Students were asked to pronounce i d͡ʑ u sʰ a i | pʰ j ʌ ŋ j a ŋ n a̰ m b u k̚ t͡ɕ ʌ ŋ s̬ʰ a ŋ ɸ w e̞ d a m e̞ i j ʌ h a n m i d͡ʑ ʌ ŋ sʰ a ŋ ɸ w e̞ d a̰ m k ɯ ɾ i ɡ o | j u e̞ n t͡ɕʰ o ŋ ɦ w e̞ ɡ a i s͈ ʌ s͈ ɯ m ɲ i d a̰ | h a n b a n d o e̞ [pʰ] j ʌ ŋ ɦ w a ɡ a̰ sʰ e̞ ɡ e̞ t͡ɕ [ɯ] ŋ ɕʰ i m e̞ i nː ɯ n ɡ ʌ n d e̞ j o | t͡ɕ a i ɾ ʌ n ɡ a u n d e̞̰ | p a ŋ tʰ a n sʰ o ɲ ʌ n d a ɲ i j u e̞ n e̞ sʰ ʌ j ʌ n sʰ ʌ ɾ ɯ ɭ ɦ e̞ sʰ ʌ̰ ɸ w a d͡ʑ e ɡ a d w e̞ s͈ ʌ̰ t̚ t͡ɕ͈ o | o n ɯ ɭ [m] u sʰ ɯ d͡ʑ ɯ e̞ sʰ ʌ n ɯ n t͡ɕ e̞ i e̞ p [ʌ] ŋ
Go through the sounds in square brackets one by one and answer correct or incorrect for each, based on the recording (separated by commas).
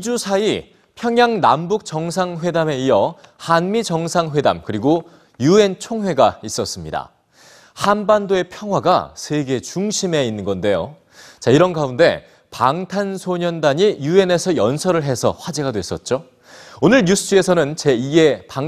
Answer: correct, incorrect, incorrect, incorrect